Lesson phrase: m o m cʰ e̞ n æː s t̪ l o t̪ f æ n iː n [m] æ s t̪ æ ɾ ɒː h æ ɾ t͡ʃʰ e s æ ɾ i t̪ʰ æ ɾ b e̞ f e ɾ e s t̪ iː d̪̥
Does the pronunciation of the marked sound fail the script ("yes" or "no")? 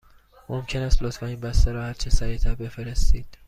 yes